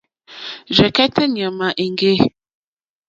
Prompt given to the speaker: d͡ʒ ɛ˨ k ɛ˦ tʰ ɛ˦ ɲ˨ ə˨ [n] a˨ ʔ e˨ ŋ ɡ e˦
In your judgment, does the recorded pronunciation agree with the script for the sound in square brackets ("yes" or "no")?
no